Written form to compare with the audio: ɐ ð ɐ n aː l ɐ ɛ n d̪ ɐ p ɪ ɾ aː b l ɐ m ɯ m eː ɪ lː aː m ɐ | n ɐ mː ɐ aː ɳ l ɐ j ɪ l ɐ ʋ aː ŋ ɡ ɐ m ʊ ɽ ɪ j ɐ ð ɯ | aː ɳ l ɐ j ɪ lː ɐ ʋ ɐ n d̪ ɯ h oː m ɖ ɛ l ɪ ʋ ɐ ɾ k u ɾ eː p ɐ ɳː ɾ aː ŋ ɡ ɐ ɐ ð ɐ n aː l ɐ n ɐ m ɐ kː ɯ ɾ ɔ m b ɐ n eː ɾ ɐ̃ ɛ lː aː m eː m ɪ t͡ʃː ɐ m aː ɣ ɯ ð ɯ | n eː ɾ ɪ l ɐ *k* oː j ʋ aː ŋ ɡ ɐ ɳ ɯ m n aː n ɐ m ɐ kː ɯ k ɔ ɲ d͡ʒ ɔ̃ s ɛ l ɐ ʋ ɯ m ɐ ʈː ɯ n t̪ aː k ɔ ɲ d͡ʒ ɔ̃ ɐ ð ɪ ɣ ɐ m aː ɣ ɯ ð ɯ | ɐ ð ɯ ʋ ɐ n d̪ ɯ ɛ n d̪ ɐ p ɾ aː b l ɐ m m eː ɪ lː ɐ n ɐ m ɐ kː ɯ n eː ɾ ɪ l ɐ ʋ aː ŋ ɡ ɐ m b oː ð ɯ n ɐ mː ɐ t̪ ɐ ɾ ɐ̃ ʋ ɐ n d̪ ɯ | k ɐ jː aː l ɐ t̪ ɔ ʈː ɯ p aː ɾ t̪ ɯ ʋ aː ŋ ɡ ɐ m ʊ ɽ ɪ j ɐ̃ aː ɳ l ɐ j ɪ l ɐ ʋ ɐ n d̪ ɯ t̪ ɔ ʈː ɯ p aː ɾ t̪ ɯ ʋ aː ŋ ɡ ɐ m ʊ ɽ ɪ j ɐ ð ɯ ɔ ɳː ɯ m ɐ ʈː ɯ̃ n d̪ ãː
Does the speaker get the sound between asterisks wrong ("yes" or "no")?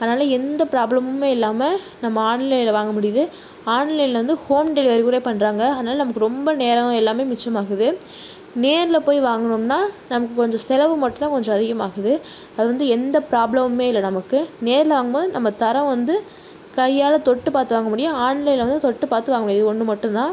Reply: yes